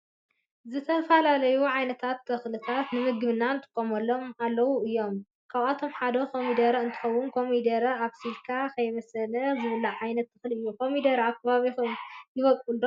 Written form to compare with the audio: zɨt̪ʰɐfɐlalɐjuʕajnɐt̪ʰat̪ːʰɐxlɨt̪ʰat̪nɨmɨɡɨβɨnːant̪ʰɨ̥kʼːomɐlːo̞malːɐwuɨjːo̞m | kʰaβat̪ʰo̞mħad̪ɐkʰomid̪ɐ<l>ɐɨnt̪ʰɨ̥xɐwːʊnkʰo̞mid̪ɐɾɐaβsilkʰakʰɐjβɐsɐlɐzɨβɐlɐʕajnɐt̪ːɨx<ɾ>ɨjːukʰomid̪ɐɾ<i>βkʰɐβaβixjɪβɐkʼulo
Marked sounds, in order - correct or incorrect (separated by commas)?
incorrect, incorrect, incorrect